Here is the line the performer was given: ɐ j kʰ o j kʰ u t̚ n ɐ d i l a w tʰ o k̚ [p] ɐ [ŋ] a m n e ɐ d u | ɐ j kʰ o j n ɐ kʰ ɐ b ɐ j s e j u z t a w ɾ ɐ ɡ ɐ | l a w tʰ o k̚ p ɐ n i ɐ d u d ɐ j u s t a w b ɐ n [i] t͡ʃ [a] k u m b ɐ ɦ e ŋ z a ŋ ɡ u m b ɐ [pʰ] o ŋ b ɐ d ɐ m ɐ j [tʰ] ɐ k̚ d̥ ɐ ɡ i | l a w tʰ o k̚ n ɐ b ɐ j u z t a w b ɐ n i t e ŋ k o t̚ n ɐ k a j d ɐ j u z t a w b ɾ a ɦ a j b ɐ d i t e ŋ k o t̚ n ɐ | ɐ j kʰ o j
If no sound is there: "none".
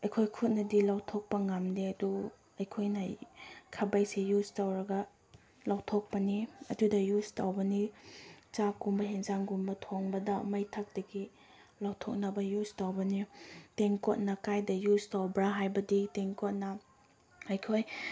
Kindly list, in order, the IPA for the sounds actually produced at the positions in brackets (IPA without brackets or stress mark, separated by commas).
p, ŋ, i, a, tʰ, tʰ